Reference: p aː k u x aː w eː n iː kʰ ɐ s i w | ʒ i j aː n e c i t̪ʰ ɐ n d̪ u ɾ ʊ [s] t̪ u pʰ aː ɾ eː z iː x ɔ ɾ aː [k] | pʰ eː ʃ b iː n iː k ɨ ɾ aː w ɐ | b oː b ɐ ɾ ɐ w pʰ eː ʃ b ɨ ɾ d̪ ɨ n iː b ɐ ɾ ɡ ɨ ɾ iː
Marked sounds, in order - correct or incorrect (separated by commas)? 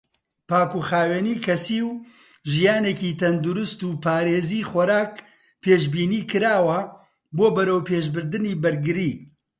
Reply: correct, correct